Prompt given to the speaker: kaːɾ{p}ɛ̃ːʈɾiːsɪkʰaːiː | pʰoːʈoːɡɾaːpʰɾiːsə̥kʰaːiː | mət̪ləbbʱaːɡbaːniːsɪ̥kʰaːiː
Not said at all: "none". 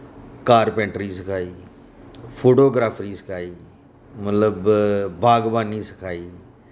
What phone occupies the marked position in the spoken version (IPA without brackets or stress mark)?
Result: p